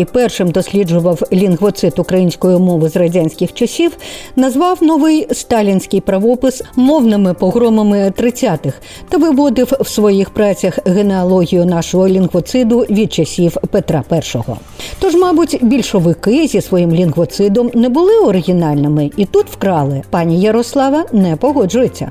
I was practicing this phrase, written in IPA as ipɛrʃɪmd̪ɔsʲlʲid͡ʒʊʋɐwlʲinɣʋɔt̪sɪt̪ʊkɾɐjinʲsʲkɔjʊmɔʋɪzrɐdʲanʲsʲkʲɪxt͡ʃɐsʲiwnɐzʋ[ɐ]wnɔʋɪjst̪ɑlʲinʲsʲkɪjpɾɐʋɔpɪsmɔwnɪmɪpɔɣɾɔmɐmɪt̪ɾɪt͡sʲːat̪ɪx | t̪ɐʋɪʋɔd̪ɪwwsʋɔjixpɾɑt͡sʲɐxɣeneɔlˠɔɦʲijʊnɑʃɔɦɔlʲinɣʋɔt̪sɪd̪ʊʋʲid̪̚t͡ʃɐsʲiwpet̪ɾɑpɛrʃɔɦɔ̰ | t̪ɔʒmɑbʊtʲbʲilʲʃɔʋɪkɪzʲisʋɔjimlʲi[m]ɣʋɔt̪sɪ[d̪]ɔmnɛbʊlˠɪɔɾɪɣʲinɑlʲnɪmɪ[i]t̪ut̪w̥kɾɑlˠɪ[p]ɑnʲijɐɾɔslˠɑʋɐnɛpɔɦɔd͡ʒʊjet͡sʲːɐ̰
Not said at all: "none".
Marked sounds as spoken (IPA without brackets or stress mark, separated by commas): ɑ, n, d̪, i, p